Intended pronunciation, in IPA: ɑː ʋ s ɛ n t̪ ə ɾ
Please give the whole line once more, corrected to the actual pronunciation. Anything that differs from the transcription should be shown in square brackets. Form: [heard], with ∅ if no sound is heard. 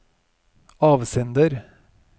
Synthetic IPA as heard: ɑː ʋ s ɛ n [d̪] ə ɾ